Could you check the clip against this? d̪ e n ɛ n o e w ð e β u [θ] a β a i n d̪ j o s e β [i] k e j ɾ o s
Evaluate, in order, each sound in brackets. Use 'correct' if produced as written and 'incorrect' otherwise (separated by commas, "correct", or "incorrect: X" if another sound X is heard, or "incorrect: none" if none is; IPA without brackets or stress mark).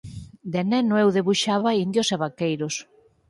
incorrect: ʃ, incorrect: a